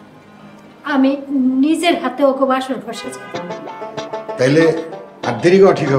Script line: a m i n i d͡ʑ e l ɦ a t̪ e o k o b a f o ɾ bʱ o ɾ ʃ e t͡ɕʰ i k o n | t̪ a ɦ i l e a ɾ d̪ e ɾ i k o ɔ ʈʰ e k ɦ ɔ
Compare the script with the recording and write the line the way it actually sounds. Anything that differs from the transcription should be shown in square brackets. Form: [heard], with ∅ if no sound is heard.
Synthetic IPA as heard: a m i n i d͡ʑ e [ɾ] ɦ a t̪ e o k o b a [ʃ] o ɾ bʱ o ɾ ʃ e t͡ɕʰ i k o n | t̪ a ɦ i l e a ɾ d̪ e ɾ i k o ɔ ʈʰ [i] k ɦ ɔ